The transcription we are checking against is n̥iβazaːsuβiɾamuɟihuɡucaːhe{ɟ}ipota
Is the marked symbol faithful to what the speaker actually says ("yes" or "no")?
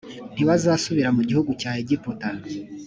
yes